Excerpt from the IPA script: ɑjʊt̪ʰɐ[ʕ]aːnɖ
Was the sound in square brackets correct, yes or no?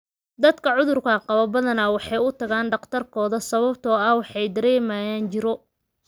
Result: no